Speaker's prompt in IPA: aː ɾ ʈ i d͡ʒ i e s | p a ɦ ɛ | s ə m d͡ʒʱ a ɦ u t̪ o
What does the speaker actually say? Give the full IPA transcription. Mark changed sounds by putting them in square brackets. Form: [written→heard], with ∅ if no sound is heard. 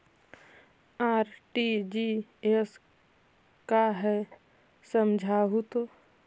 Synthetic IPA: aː ɾ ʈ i d͡ʒ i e s | [p→k] a ɦ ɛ | s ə m d͡ʒʱ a ɦ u t̪ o